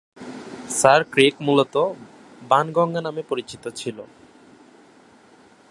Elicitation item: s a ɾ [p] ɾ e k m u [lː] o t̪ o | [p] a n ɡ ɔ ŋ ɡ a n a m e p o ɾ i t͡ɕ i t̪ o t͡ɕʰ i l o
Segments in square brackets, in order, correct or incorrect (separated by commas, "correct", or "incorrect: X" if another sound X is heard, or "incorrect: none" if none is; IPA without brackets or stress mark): incorrect: k, incorrect: l, incorrect: b